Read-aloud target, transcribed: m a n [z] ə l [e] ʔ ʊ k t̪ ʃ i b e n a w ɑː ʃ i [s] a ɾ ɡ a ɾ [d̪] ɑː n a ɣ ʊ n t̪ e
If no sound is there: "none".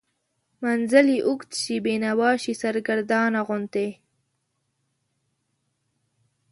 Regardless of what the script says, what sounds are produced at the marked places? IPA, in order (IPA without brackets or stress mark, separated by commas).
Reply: z, i, s, d̪